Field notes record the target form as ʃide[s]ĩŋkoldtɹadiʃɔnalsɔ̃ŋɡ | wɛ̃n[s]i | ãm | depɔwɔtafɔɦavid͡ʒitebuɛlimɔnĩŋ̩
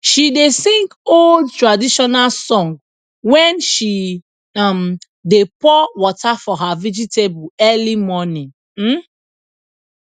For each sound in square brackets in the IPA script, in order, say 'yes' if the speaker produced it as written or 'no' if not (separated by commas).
yes, no